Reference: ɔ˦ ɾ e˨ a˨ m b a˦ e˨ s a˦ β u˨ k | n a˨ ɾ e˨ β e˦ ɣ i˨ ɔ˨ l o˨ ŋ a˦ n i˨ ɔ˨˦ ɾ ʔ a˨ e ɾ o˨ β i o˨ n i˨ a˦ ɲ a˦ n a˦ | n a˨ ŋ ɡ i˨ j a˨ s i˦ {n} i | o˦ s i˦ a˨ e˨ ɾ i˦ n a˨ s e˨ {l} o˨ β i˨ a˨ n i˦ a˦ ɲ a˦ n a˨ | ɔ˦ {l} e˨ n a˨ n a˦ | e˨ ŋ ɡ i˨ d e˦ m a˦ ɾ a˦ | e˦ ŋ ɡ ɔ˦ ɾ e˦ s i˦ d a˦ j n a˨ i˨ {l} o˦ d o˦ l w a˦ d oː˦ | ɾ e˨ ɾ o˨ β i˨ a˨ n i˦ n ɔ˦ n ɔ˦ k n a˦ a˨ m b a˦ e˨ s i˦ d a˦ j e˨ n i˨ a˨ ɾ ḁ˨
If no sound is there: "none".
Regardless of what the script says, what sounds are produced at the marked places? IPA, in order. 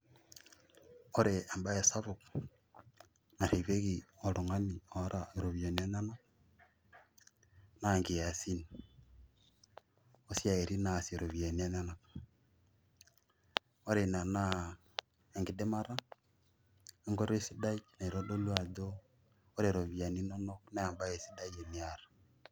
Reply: n, ɾ, ɾ, ɾ

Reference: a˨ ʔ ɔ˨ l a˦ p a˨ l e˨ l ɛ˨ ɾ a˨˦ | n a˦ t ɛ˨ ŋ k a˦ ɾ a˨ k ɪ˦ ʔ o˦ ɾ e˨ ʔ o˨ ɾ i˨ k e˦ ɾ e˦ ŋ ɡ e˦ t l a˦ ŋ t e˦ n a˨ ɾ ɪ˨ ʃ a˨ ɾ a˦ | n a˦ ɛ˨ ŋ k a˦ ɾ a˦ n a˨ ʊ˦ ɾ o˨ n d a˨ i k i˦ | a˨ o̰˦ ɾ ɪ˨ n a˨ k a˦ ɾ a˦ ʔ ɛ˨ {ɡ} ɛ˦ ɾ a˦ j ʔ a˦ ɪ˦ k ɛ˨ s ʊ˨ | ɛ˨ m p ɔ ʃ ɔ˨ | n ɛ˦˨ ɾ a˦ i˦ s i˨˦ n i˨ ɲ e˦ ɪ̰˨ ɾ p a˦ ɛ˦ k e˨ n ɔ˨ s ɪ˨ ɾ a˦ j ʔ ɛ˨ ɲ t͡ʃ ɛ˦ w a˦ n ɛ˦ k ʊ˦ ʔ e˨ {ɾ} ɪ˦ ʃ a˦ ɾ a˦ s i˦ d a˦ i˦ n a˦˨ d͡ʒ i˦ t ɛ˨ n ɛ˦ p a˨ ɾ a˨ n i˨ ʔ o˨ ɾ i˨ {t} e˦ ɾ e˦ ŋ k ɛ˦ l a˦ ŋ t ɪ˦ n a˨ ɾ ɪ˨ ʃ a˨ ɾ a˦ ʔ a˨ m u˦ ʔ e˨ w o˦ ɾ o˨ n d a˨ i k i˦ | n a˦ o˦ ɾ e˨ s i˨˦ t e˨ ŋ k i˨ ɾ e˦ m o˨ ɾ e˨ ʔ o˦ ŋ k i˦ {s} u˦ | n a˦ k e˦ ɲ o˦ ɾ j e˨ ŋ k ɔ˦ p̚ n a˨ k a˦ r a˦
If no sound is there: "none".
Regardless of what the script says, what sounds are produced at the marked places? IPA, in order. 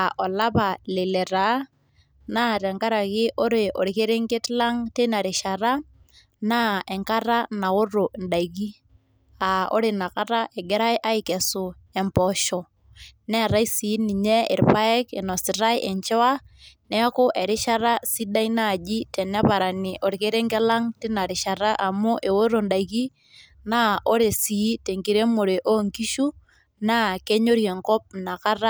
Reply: ɡ, ɾ, k, ʃ

